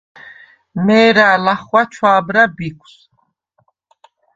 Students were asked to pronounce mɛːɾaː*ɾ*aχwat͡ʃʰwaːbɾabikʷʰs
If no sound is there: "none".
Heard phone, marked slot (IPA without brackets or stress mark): l